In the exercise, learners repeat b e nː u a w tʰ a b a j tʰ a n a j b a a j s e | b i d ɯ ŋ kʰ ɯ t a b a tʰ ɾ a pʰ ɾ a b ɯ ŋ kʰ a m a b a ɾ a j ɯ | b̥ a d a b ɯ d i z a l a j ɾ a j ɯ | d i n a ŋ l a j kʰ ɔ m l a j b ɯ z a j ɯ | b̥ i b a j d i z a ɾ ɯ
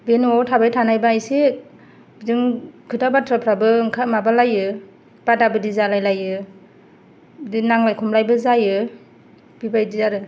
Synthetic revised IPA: b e n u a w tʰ a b a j tʰ a n a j b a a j s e | b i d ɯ ŋ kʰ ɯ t a b a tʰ ɾ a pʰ ɾ a b ɯ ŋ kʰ a m a b a l a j ɯ | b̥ a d a b ɯ d i z a l a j l a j ɯ | d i n a ŋ l a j kʰ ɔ m l a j b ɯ z a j ɯ | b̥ i b a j d i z a ɾ ɯ